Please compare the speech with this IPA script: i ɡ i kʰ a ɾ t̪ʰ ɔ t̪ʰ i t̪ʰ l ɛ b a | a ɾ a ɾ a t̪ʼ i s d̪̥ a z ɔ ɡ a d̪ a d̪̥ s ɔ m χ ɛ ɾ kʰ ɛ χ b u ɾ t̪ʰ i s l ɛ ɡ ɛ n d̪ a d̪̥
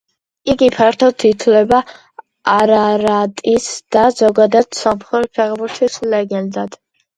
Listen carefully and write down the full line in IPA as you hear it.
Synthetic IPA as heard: i ɡ i pʰ a ɾ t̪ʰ ɔ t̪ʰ i t̪ʰ l ɛ b a | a ɾ a ɾ a t̪ʼ i s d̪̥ a z ɔ ɡ a d̪ a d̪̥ s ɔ m χ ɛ ɾ pʰ ɛ ʁ b u ɾ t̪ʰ i s l ɛ ɡ ɛ n d̪ a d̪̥